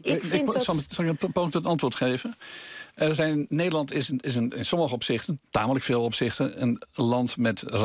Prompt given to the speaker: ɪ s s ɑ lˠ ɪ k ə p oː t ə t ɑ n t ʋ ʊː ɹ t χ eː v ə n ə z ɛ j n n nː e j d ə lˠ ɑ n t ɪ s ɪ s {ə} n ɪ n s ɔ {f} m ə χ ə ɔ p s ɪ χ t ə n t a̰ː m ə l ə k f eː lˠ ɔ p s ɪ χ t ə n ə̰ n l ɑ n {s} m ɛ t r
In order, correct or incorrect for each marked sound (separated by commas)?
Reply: correct, incorrect, incorrect